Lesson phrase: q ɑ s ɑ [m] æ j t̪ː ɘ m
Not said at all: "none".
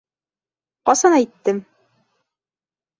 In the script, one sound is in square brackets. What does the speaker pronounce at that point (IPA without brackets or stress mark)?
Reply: n